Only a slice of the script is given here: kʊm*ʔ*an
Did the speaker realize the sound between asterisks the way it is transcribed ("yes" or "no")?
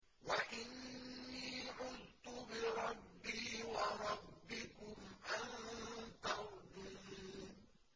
yes